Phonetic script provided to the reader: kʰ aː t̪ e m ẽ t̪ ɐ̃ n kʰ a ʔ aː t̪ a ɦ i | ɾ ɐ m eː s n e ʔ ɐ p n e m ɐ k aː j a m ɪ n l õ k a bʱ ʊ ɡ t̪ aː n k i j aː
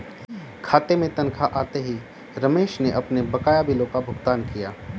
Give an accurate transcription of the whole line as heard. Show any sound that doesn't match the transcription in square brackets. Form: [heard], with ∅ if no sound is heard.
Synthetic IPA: kʰ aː t̪ e m ẽ t̪ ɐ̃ n kʰ a ʔ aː t̪ [e] ɦ i | ɾ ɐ m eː [ʃ] n e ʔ ɐ p n e [b] ɐ k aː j a [b] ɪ [∅] l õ k a bʱ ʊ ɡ t̪ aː n k i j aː